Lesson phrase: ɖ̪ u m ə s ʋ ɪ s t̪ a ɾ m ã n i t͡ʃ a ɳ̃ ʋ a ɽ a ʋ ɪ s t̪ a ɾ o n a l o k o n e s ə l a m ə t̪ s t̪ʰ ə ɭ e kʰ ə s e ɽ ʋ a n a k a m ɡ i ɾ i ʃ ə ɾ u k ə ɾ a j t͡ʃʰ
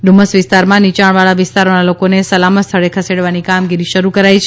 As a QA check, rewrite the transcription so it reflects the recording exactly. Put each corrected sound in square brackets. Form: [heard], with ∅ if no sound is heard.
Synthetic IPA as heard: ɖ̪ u m ə s ʋ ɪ s t̪ a ɾ m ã n i t͡ʃ a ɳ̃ ʋ a [ɭ] a ʋ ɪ s t̪ a ɾ o n a l o k o n e s ə l a m ə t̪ s t̪ʰ ə ɭ e kʰ ə s e ɽ ʋ a n [i] k a m ɡ i ɾ i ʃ ə ɾ u k ə ɾ a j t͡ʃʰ